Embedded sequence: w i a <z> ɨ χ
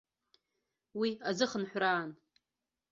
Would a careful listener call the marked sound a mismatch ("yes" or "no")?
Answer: no